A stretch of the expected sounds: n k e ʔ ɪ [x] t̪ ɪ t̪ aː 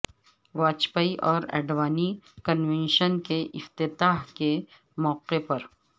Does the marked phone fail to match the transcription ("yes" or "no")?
yes